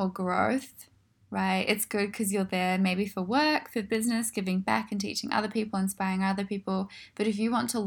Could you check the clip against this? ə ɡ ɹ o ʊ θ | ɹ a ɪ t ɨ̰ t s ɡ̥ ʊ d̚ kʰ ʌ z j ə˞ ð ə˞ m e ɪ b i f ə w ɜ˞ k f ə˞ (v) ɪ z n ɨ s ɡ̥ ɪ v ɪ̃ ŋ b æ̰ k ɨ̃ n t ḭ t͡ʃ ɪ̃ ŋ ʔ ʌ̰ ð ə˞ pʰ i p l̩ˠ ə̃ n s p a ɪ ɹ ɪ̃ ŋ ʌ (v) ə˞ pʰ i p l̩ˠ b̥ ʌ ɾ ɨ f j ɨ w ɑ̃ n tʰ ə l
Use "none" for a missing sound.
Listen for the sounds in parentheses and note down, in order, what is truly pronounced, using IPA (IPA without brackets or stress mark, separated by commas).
b, ð